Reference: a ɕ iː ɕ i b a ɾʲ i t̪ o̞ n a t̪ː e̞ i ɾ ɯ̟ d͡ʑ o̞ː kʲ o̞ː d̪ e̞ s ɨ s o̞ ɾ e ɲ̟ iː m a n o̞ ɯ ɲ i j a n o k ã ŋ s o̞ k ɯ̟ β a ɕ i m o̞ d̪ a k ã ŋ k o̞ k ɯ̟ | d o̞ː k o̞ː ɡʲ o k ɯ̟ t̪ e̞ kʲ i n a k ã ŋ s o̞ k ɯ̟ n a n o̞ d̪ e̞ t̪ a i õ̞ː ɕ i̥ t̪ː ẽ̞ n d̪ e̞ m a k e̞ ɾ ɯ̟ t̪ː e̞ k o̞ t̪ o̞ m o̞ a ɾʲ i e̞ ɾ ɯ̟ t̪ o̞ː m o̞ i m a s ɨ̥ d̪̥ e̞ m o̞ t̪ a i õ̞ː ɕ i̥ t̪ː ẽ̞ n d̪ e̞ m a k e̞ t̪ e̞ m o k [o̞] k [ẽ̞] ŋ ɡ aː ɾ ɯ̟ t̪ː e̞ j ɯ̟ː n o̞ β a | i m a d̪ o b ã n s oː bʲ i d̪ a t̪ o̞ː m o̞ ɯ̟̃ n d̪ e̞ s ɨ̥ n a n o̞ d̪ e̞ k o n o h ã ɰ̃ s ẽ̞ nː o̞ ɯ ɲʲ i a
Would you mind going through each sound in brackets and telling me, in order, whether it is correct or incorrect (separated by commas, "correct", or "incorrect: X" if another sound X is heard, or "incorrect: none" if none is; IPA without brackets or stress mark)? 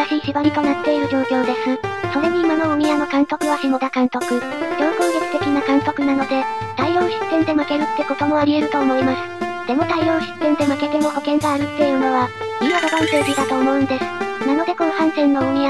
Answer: correct, correct